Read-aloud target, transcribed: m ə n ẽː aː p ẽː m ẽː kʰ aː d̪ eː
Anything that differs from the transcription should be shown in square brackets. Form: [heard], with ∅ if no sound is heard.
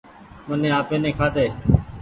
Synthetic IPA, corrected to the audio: m ə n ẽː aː p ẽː [n] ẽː kʰ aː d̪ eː